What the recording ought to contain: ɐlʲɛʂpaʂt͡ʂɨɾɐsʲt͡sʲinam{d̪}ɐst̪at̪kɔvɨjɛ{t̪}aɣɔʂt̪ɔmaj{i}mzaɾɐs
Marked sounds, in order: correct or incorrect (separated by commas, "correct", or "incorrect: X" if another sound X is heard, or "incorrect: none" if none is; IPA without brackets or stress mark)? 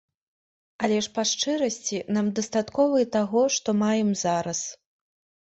correct, correct, incorrect: ɛ